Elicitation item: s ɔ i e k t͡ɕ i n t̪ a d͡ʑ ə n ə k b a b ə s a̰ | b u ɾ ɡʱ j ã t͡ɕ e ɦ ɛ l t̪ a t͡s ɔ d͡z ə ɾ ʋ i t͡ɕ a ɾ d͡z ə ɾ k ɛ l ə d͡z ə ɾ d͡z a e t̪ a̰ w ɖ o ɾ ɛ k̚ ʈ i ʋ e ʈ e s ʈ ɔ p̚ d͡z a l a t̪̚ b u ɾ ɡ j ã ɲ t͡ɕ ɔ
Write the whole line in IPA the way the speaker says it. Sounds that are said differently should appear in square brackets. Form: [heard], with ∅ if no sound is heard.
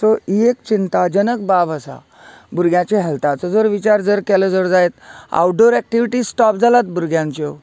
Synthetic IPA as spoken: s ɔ i e k t͡ɕ i n t̪ a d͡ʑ ə n ə k b a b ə s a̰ | b u ɾ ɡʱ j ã t͡ɕ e ɦ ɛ l t̪ a t͡s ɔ d͡z ə ɾ ʋ i t͡ɕ a ɾ d͡z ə ɾ k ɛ l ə d͡z ə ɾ d͡z a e t̪ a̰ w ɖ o ɾ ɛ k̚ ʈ i ʋ [i] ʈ [i] s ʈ ɔ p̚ d͡z a l a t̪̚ b u ɾ ɡ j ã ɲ t͡ɕ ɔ